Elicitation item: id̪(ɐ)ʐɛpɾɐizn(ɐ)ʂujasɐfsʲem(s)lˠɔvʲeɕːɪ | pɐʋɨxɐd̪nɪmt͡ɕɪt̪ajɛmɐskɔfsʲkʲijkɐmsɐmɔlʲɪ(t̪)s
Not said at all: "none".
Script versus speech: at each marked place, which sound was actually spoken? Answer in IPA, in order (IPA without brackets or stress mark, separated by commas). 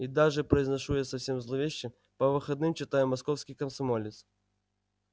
a, ɐ, z, t̪